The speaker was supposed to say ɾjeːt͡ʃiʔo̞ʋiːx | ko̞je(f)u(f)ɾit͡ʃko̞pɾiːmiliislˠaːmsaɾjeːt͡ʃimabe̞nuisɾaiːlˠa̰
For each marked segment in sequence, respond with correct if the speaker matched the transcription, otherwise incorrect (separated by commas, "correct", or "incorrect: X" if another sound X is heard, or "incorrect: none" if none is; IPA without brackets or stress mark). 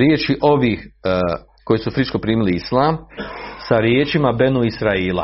incorrect: s, correct